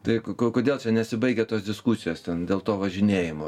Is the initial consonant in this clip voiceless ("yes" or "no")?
yes